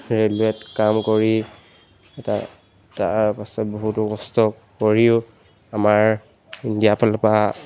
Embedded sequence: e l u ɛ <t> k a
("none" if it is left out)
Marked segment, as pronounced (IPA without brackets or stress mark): t